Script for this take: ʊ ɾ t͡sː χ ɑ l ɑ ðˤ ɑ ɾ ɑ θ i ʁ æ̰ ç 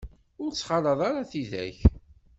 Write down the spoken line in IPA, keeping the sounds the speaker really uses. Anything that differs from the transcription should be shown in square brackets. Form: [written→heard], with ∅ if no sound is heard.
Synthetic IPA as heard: ʊ ɾ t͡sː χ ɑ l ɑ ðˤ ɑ ɾ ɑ θ i [ʁ→ð] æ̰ ç